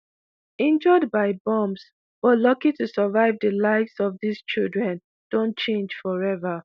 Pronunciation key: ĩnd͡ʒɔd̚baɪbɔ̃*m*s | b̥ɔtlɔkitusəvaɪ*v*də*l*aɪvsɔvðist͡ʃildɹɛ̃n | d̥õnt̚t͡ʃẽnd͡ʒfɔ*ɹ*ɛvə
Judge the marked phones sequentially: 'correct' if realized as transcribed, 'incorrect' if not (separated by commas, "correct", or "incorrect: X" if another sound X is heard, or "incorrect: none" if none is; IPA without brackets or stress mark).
correct, correct, correct, correct